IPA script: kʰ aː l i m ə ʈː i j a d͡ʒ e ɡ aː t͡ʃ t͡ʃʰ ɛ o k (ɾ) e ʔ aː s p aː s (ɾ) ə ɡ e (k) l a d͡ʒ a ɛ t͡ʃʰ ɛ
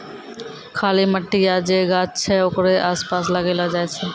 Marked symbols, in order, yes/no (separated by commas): yes, no, no